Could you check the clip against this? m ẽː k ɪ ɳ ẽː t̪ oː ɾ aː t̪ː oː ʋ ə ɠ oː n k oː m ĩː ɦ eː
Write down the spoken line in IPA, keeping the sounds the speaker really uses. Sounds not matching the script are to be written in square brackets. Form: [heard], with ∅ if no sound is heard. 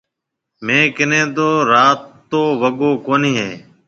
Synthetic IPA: m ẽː k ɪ [n] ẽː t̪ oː ɾ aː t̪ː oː ʋ ə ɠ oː [∅] k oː [n] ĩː ɦ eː